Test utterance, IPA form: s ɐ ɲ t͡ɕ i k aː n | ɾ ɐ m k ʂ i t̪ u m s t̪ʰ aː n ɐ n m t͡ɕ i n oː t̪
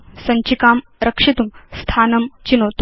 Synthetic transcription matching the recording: s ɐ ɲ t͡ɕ i k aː m | ɾ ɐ k ʂ i t̪ u m s t̪ʰ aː n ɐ m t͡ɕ i n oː t̪